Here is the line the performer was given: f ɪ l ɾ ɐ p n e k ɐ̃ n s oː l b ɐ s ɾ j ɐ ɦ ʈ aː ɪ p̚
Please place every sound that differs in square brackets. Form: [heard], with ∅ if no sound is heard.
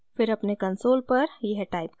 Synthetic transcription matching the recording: f ɪ [∅] ɾ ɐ p n e k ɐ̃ n s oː l [p] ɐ [∅] ɾ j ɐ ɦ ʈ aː ɪ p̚